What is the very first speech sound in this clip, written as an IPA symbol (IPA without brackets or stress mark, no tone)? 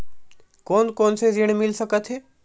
k